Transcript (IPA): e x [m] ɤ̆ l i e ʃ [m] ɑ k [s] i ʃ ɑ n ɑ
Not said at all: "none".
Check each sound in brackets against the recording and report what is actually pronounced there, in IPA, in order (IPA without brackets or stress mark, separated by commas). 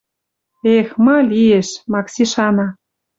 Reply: m, m, s